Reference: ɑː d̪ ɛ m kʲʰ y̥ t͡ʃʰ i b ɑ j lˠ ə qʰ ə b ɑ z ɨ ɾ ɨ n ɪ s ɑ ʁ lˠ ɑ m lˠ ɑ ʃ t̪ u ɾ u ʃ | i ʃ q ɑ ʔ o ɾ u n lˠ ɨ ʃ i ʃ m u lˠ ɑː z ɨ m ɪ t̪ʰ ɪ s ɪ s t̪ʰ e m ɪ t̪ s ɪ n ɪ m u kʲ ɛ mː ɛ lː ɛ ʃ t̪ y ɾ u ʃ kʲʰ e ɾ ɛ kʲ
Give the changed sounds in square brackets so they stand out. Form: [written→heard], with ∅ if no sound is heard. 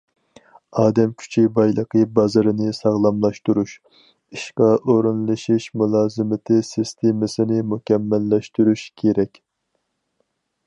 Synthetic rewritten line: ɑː d̪ ɛ m kʲʰ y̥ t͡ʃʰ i b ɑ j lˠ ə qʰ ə b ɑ z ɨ ɾ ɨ n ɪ s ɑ ʁ lˠ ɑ m lˠ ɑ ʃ t̪ u ɾ u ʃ | i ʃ q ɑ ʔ o ɾ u n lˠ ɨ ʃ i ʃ m u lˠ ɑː z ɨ m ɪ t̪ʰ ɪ s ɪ s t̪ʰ e m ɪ [t̪→∅] s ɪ n ɪ m u kʲ ɛ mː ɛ lː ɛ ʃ t̪ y ɾ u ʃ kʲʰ e ɾ ɛ kʲ